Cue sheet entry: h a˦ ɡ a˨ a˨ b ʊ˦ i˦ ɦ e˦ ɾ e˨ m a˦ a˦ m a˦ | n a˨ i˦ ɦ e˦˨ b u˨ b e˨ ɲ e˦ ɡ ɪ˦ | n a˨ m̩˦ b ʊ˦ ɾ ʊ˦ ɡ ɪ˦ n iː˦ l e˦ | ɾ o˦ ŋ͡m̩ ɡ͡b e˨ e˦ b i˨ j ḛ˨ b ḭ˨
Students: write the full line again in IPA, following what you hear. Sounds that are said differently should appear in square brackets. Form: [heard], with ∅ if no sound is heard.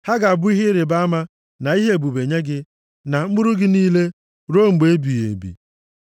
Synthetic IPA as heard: h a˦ ɡ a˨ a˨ b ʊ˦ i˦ ɦ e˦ ɾ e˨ [b] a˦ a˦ m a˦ | n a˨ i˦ ɦ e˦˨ b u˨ b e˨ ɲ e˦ ɡ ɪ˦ | n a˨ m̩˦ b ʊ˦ ɾ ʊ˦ ɡ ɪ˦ n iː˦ l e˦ | ɾ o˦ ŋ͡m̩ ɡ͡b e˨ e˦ b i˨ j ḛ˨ b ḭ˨